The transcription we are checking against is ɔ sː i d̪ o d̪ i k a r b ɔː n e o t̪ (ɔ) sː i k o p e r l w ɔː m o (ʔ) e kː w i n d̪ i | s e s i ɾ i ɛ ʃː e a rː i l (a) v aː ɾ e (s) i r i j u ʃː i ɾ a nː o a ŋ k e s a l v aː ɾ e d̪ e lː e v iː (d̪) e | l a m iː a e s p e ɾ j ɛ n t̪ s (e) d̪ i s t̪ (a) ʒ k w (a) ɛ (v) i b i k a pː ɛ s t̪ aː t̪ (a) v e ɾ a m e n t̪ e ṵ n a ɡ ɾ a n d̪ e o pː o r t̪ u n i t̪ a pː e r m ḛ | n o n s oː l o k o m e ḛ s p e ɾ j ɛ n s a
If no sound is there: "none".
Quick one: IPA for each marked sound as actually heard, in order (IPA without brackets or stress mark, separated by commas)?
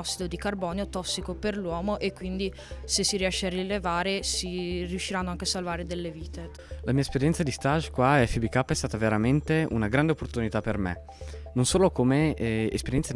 ɔ, ʔ, e, s, t̪, a, a, a, f, a